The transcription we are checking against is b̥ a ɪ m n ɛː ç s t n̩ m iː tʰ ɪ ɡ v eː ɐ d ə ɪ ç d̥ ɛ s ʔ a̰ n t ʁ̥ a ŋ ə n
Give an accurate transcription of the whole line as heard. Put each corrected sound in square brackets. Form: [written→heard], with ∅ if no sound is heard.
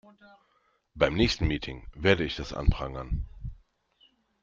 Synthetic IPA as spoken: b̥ a ɪ m n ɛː ç s t n̩ m iː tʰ ɪ [ɡ→ŋ] v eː ɐ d ə ɪ ç d̥ [ɛ→a] s ʔ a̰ n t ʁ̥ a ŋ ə n